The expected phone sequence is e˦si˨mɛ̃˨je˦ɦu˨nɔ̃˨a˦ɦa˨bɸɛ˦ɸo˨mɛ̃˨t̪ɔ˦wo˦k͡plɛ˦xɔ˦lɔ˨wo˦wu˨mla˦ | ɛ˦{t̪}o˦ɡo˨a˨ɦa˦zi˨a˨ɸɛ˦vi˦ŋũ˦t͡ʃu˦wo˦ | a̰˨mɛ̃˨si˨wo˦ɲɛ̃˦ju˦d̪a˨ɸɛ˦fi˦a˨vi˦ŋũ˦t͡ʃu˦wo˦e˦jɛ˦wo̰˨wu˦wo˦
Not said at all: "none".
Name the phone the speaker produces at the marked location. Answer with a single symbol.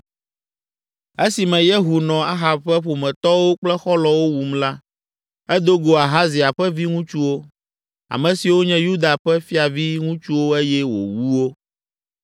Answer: d̪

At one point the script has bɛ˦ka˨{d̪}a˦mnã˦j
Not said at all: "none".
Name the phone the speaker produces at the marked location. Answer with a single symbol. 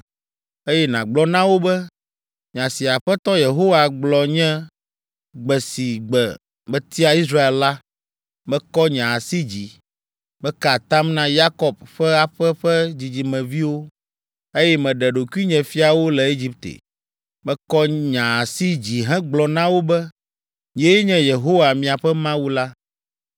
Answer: t̪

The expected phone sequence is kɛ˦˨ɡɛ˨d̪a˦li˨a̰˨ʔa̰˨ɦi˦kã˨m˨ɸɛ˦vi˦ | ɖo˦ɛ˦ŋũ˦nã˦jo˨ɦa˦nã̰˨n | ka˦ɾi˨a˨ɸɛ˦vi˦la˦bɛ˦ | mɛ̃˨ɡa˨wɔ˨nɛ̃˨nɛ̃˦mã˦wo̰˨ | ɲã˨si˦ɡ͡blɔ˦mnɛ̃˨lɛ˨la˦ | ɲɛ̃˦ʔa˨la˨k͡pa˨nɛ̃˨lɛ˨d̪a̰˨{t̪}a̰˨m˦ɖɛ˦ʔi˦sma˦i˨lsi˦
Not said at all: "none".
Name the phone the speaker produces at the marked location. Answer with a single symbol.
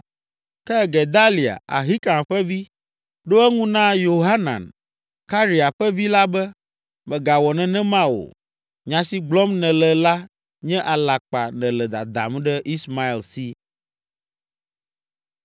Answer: d̪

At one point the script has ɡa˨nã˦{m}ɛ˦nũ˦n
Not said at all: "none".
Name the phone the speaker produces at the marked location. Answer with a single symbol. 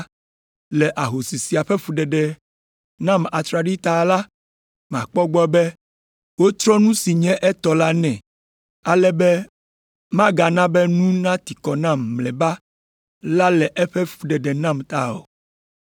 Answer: b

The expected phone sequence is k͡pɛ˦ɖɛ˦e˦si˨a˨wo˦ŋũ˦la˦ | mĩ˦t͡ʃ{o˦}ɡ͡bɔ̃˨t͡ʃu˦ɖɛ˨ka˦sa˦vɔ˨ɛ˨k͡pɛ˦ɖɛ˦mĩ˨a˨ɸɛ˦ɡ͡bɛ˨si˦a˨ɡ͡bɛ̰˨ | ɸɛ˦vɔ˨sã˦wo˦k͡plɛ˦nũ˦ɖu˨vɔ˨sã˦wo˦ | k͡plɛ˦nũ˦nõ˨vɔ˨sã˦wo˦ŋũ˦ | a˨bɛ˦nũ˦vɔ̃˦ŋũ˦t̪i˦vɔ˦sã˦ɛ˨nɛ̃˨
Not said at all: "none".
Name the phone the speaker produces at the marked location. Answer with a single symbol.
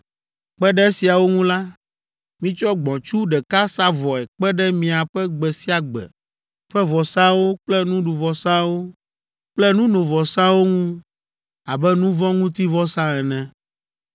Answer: ɔ˦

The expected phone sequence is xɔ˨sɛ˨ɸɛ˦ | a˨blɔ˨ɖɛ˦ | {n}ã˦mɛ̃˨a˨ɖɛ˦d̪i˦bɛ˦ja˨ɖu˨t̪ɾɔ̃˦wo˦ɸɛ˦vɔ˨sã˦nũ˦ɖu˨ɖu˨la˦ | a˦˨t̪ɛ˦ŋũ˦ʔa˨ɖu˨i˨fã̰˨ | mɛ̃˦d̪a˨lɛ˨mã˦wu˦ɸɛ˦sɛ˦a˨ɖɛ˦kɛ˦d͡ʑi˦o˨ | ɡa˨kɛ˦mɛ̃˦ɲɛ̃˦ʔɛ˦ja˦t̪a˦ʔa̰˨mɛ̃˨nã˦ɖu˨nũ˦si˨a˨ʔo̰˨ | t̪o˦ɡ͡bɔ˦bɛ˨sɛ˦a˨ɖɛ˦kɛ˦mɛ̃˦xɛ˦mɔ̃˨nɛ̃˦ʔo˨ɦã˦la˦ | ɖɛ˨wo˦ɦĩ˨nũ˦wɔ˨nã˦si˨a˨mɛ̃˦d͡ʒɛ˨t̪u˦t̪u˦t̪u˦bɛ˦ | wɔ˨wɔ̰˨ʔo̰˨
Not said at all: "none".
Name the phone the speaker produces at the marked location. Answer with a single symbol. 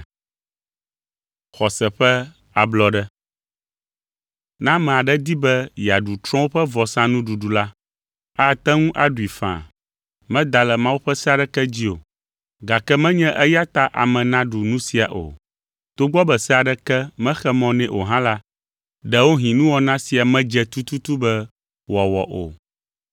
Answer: n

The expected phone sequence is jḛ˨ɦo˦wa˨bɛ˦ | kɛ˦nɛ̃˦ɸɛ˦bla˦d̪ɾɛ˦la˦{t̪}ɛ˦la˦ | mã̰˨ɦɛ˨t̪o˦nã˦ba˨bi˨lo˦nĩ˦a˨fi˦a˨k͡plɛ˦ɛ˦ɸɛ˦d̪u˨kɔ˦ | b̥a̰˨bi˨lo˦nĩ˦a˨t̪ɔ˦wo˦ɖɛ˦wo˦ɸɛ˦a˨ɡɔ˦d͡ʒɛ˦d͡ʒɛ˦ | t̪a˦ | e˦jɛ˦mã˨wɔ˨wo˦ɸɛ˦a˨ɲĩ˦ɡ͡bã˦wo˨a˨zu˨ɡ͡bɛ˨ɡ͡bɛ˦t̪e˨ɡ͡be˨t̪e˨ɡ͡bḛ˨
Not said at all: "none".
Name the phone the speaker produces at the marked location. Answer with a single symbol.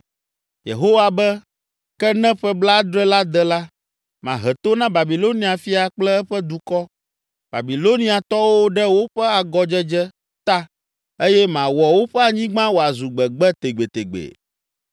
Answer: d̪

